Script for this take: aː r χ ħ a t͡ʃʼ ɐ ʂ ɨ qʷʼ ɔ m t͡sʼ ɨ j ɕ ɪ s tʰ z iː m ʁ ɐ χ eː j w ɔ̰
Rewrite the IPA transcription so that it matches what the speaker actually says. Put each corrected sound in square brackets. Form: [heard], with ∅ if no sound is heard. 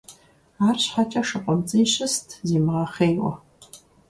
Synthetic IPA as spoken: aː r [ɕ] ħ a t͡ʃʼ ɐ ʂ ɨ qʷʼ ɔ m t͡sʼ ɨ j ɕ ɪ s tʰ z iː m ʁ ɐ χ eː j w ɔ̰